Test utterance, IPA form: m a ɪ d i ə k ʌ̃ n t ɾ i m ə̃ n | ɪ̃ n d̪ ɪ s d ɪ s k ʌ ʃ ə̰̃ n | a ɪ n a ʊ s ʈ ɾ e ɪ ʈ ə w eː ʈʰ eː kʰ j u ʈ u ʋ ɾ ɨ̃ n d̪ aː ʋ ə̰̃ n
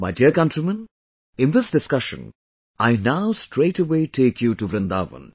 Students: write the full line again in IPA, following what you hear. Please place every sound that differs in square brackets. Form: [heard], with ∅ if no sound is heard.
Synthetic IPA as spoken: m a ɪ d i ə k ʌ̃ n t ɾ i m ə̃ n | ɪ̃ n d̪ ɪ s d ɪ s k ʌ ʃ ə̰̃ n | a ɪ n a ʊ s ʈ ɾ e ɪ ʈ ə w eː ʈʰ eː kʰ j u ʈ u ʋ ɾ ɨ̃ n d̪ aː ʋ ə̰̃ n